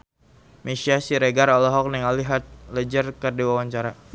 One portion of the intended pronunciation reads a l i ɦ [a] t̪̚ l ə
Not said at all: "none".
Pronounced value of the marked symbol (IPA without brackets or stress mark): a